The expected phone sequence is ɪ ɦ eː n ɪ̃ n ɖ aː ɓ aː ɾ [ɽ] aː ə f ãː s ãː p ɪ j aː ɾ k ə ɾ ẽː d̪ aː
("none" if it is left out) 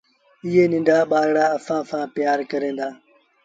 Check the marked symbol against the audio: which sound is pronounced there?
ɽ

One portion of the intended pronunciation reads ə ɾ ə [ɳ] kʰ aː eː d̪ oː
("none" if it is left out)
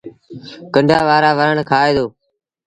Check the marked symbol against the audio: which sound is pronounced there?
ɳ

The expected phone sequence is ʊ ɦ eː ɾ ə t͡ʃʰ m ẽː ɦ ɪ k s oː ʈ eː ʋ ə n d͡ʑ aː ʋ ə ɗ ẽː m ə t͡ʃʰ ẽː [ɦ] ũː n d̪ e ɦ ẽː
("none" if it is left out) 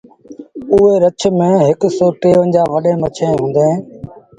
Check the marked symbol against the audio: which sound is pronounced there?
ɦ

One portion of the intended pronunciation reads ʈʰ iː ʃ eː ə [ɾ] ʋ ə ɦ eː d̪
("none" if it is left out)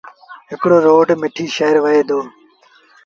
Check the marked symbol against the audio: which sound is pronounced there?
ɾ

